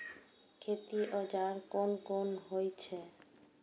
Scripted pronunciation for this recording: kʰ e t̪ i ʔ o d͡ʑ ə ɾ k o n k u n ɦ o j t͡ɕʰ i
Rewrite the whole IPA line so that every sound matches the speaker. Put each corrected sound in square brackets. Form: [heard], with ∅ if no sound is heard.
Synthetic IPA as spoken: kʰ e t̪ i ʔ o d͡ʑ [a] ɾ k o n k [o] n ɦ o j t͡ɕʰ [e]